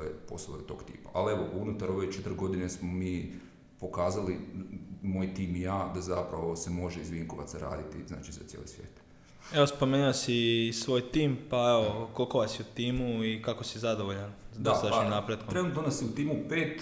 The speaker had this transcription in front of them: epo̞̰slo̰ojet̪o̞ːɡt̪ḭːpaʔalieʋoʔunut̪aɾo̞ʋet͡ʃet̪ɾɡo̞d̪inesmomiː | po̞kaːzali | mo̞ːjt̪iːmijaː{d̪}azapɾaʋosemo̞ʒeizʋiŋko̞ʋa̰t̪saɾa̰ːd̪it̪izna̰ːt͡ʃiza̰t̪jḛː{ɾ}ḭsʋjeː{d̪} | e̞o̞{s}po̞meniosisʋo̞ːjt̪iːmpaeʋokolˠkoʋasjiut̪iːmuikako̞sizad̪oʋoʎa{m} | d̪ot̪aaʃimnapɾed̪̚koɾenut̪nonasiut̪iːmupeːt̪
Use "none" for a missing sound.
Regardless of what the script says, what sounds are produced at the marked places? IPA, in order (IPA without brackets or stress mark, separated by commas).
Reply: d̪, l, t̪, s, n